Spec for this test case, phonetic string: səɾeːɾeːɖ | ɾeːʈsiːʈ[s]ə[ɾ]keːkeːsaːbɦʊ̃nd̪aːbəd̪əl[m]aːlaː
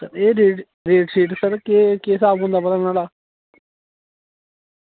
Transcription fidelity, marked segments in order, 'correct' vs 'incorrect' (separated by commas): correct, correct, incorrect